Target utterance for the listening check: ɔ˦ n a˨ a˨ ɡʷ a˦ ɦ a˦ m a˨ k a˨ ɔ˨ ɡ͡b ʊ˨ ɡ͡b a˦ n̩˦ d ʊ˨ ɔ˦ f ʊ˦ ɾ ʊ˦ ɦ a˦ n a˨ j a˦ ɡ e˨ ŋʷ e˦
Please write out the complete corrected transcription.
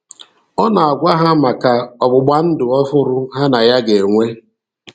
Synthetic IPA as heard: ɔ˦ n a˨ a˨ ɡʷ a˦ ɦ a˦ m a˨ k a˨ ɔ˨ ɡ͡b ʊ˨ ɡ͡b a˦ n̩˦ d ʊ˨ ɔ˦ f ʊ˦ ɾ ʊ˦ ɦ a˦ n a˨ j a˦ ɡ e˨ ŋʷ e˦